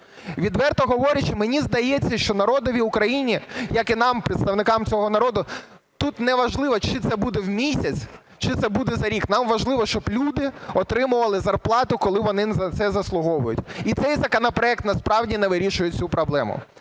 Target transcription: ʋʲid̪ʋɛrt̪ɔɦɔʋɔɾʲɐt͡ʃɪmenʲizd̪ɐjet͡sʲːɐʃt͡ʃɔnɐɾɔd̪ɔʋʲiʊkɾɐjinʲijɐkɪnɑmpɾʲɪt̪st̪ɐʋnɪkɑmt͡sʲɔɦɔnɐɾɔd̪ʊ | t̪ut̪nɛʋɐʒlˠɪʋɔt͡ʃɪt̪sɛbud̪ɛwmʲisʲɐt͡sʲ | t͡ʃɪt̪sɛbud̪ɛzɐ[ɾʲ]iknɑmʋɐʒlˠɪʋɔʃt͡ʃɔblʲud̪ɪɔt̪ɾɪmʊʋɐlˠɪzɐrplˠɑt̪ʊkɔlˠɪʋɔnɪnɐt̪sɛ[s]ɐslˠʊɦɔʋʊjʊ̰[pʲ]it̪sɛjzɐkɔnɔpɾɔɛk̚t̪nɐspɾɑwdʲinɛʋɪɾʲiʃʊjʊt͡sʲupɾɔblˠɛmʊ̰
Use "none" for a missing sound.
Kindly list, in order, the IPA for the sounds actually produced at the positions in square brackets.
ɾʲ, z, tʲ

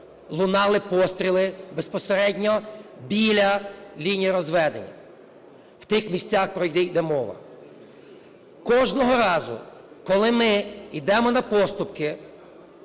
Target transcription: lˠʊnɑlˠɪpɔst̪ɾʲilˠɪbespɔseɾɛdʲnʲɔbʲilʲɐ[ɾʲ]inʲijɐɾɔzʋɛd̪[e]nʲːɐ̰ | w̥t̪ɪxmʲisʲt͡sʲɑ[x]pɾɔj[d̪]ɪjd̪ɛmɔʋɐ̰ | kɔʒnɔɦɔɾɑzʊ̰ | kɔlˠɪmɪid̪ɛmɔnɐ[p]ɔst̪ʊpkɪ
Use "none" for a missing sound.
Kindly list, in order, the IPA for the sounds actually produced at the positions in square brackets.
lʲ, e, x, d̪, p

